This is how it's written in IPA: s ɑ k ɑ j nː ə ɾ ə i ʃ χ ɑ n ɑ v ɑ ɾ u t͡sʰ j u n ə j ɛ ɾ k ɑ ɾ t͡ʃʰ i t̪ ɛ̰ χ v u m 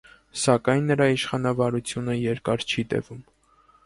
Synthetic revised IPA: s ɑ k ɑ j nː ə ɾ ɑ i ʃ χ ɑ n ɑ v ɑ ɾ u t͡sʰ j u n ə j ɛ ɾ k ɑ ɾ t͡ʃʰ i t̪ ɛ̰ v u m